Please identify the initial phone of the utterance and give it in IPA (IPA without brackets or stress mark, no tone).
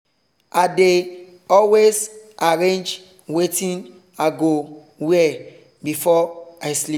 a